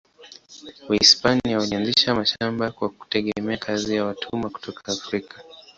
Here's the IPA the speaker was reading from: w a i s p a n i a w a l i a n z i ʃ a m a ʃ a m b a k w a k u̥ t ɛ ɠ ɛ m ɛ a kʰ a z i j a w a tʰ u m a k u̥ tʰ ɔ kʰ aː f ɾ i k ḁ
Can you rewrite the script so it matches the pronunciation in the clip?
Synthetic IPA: w a i s p a n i a w a l i a n z i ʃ a m a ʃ a m b a k w a k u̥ t ɛ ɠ ɛ m ɛ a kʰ a z i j a w a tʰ u m a k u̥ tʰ ɔ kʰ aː f ɾ i k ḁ